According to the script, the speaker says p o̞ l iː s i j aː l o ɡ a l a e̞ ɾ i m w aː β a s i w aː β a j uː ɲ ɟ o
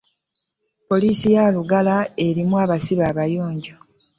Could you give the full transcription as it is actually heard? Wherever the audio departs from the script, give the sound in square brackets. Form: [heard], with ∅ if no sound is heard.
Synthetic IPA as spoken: p o̞ l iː s i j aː l [u] ɡ a l a e̞ ɾ i m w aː β a s i [β] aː β a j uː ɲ ɟ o